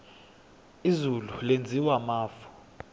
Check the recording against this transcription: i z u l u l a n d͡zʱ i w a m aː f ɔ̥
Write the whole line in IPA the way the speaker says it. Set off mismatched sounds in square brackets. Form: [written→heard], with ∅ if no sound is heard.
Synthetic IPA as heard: i z u l u l [a→e] n d͡zʱ i w a m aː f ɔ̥

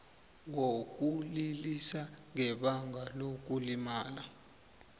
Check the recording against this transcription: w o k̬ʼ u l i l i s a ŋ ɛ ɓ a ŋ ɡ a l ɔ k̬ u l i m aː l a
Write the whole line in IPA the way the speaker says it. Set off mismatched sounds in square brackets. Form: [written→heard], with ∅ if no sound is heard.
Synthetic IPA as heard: w o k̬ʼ u l i l i s a ŋ ɛ ɓ a ŋ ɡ a l [ɔ→o] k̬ u l i m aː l a

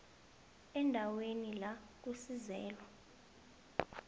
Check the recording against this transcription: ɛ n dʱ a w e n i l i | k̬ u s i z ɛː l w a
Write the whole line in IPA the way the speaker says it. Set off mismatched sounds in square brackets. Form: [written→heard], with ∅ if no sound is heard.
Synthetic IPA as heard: ɛ n dʱ a w e n i l [i→a] | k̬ u s i z ɛː l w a

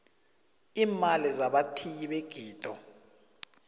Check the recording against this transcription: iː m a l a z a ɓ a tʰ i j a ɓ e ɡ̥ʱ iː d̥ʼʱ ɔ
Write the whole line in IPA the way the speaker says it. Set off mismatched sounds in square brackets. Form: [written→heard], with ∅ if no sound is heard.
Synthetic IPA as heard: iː m a l [a→i] z a ɓ a tʰ i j [a→i] ɓ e ɡ̥ʱ iː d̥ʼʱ ɔ

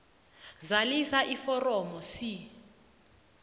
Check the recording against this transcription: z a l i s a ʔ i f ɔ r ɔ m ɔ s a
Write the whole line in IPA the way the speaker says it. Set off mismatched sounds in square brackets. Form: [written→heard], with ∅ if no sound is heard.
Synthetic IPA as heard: z a l i s a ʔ i f ɔ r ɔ m ɔ s [a→i]

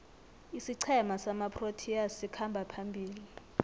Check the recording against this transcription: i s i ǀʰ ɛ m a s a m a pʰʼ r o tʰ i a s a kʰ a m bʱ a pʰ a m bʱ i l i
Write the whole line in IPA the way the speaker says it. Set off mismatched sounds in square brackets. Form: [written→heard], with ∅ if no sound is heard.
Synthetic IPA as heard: i s i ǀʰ ɛ m a s a m a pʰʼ r o tʰ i a s [a→i] kʰ a m bʱ a pʰ a m bʱ [i→iː] l i

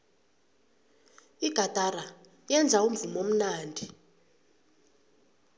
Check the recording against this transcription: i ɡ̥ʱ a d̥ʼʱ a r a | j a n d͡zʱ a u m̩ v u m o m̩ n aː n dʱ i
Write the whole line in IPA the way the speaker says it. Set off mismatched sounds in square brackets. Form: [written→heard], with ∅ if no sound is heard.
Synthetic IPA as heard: i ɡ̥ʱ a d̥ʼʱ a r a | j [a→ɛ] n d͡zʱ a u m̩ v u m o m̩ n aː n dʱ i

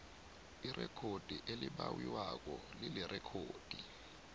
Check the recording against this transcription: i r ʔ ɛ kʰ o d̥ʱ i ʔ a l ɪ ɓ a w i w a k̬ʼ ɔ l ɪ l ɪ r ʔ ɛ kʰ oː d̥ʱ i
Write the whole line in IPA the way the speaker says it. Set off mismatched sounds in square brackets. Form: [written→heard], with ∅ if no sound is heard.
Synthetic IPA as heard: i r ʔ ɛ kʰ o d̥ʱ i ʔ [a→e] l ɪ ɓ a w i w a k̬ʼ ɔ l ɪ l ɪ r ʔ ɛ kʰ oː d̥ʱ i

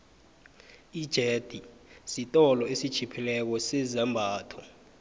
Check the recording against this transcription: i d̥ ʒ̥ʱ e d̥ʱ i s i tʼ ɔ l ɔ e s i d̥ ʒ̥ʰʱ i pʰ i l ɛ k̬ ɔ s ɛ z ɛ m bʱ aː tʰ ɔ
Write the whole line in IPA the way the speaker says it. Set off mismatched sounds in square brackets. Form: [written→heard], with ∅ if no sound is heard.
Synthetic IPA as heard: i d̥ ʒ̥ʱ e d̥ʱ i s i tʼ ɔ l ɔ e s i d̥ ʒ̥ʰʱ i pʰ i l ɛ k̬ ɔ s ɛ z ɛ m bʱ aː tʰ ɔ

